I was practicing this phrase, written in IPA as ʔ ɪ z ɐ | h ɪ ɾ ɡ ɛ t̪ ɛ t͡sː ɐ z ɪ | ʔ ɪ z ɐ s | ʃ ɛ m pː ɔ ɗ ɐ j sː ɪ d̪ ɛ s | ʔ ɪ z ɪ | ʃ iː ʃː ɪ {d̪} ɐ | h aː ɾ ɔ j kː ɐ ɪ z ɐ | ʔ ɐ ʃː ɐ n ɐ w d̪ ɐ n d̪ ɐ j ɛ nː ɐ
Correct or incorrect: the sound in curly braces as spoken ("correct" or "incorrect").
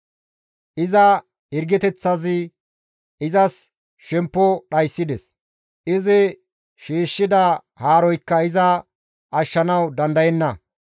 correct